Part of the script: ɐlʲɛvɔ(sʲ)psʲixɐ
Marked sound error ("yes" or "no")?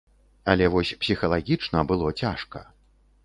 no